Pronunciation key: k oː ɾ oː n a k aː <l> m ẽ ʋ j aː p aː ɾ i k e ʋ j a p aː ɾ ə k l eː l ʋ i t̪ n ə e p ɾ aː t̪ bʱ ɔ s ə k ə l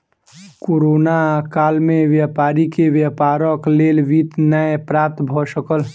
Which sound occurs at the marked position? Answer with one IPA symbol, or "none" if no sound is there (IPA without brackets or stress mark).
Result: l